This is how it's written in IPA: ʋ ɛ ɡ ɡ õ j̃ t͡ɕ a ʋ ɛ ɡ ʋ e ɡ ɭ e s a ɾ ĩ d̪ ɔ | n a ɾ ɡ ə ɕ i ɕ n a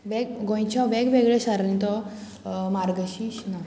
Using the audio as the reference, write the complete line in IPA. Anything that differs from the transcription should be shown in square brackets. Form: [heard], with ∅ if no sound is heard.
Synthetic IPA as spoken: ʋ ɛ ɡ ɡ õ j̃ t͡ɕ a ʋ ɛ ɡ ʋ e ɡ ɭ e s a ɾ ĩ [t̪] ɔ | [m] a ɾ ɡ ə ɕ i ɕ n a